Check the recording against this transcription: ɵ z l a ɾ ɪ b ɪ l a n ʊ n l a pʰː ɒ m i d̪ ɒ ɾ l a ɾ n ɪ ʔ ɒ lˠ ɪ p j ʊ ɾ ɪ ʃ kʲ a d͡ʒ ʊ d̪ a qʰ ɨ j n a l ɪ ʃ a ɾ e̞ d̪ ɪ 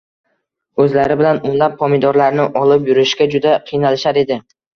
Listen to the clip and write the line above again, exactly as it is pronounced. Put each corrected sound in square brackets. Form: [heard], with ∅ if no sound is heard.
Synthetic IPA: ɵ z l a ɾ ɪ b ɪ l a n ʊ n l a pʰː ɒ m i d̪ ɒ ɾ l a ɾ n ɪ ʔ ɒ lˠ ɪ p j ʊ ɾ ɪ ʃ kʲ a d͡ʒ ʊ d̪ a qʰ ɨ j n a l ɪ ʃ a ɾ e̞ d̪ ɪ

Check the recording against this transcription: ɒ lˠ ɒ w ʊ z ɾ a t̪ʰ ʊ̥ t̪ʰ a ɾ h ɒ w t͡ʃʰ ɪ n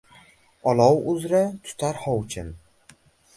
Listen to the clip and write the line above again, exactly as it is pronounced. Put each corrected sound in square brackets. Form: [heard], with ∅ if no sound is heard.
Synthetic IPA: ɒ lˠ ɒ w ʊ z ɾ a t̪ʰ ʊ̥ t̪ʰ a ɾ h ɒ w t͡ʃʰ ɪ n

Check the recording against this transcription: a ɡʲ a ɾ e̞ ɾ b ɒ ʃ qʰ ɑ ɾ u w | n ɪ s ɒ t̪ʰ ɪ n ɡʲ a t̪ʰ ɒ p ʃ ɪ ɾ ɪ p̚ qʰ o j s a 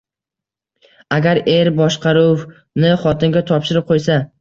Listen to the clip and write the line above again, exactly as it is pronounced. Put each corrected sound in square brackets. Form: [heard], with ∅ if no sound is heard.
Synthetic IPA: a ɡʲ a ɾ e̞ ɾ b ɒ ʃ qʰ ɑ ɾ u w | n ɪ [χ] ɒ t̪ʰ ɪ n ɡʲ a t̪ʰ ɒ p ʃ ɪ ɾ ɪ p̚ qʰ o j s a

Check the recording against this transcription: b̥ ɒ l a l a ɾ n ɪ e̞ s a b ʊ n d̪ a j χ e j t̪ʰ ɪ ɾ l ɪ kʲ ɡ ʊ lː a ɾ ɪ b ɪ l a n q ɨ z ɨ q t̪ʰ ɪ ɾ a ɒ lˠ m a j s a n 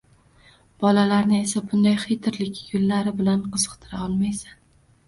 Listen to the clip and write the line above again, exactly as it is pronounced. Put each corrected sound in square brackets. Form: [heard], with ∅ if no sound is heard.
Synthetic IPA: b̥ ɒ l a l a ɾ n ɪ e̞ s a b ʊ n d̪ a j χ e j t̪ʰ ɪ ɾ l ɪ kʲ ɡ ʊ lː a ɾ ɪ b ɪ l a n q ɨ z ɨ q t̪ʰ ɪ ɾ a ɒ lˠ m a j s a n

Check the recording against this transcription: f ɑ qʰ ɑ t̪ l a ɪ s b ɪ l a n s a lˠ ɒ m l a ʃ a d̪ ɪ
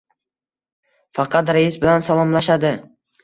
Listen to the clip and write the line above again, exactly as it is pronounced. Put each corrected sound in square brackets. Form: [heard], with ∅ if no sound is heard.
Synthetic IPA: f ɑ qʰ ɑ t̪ [ɾ] a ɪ s b ɪ l a n s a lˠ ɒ m l a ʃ a d̪ ɪ

